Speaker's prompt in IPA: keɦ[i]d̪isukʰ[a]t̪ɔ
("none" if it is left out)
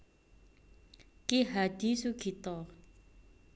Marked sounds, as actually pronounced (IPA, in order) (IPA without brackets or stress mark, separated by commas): a, i